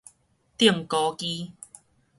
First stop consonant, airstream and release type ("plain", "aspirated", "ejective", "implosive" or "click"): plain